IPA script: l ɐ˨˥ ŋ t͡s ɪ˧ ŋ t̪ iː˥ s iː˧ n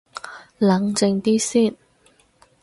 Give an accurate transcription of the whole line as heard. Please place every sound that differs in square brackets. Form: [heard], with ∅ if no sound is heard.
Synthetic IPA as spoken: l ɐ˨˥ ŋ t͡s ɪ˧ ŋ t̪ iː˥ s [iː˥˩] n